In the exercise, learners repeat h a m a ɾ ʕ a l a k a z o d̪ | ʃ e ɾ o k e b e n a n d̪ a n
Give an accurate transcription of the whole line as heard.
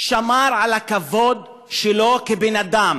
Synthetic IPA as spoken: ʃ a m a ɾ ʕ a l a k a v o d̪ | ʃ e l o k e b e n a d̪ a m